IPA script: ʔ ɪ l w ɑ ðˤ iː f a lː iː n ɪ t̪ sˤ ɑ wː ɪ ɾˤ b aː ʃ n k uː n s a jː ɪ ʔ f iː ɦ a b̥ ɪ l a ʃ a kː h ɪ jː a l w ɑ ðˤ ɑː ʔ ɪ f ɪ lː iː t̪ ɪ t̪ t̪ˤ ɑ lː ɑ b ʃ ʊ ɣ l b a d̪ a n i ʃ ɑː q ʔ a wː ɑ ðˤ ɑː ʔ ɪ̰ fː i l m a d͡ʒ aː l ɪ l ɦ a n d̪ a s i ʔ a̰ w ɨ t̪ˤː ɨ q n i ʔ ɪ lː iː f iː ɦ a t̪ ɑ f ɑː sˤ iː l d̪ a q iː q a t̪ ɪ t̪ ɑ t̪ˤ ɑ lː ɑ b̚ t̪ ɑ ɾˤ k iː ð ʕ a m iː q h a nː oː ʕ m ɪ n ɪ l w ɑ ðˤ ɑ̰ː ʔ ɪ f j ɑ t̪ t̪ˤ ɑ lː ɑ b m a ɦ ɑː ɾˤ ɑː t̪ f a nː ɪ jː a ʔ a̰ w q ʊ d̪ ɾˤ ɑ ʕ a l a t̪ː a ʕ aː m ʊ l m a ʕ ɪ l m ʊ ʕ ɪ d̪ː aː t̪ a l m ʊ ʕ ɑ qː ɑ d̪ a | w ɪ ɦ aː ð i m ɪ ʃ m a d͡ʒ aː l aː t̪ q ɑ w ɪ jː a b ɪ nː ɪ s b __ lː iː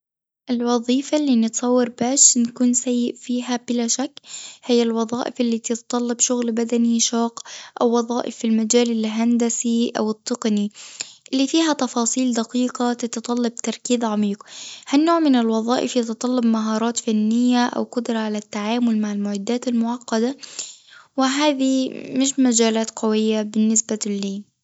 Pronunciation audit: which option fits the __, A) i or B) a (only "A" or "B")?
B